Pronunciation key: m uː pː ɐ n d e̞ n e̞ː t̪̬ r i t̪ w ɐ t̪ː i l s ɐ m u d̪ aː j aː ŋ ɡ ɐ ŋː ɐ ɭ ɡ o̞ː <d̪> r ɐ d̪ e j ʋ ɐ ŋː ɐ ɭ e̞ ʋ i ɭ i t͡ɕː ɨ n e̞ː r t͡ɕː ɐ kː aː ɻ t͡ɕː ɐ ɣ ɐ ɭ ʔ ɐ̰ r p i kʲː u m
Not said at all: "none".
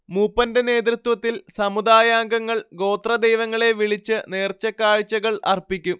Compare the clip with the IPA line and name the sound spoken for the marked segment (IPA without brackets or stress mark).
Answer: t̪